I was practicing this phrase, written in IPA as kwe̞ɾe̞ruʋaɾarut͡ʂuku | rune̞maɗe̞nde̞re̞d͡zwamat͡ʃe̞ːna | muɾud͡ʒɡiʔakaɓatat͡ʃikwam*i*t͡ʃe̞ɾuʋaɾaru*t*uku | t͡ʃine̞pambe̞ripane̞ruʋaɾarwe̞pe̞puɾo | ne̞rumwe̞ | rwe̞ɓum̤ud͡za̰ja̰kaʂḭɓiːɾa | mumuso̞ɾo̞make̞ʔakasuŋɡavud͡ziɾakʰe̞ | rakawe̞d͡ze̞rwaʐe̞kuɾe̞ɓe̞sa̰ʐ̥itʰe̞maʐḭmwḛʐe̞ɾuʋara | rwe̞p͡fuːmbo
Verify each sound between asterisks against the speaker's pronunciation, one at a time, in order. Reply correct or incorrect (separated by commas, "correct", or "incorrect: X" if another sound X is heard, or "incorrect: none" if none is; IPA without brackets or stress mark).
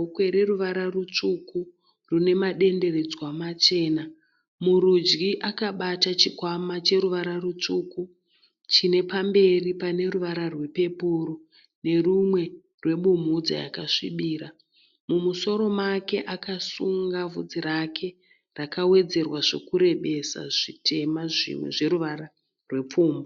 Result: incorrect: a, incorrect: t͡ʂ